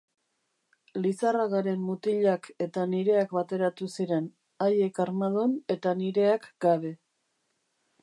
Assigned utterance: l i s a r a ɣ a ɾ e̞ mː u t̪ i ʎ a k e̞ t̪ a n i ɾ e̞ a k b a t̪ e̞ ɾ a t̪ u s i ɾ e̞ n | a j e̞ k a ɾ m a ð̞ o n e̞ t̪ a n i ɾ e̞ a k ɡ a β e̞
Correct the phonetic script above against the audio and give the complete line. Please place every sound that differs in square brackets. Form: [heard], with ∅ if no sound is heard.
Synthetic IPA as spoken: l i s a r a ɣ a ɾ e̞ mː u t̪ i ʎ a k e̞ t̪ a n i ɾ e̞ a k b a t̪ e̞ ɾ a t̪ u s i ɾ e̞ n | a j e̞ k a ɾ m a ð̞ o n e̞ t̪ a n i ɾ e̞ a k ɡ a β e̞